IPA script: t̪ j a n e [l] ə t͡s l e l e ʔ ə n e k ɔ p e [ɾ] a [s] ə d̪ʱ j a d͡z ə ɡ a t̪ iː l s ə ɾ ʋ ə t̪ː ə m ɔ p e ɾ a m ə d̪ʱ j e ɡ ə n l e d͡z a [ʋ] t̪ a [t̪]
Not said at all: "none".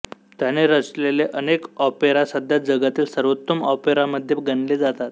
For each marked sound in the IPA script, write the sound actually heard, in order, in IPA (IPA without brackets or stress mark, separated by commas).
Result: ɾ, ɾ, s, none, t̪